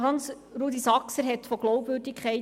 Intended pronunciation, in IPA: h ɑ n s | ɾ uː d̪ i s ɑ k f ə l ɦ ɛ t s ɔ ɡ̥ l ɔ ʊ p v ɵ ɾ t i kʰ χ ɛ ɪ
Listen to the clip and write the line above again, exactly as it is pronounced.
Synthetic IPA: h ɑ n s | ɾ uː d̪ i s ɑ k s ə ɾ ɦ ɛ t f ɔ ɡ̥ l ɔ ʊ p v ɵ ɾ d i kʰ χ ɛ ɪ